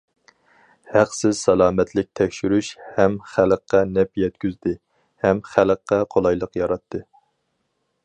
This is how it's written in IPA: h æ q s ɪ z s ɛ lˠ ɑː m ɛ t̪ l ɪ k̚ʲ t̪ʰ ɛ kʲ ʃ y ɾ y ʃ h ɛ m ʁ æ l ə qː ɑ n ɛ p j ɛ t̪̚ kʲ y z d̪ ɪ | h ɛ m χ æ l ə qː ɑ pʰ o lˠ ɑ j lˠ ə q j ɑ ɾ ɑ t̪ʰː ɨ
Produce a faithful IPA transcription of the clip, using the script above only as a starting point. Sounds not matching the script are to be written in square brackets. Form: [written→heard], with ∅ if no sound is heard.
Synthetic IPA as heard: h æ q s ɪ z s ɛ lˠ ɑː m ɛ t̪ l ɪ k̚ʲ t̪ʰ ɛ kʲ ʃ y ɾ y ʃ h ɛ m [ʁ→χ] æ l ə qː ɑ n ɛ p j ɛ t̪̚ kʲ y z d̪ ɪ | h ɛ m χ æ l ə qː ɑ [pʰ→qʰ] o lˠ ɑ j lˠ ə q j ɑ ɾ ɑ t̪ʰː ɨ